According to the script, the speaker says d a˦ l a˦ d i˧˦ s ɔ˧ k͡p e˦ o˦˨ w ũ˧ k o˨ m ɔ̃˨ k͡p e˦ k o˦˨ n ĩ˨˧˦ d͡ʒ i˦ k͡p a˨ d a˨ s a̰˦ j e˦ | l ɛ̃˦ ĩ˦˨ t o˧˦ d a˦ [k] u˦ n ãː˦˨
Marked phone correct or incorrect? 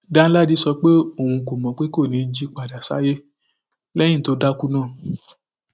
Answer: correct